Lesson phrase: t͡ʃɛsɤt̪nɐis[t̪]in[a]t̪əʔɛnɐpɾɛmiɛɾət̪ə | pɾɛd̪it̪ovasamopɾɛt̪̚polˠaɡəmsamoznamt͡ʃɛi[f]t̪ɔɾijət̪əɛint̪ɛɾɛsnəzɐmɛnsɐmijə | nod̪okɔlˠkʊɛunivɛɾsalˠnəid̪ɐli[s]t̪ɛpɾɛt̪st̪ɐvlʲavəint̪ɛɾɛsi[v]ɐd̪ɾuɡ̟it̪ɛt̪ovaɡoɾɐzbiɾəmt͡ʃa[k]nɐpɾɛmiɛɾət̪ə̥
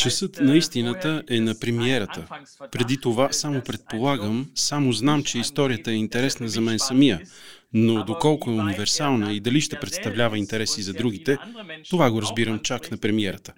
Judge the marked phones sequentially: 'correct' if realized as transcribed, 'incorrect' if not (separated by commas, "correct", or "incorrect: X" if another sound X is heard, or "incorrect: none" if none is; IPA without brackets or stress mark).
correct, incorrect: ə, incorrect: s, incorrect: ʃ, incorrect: z, correct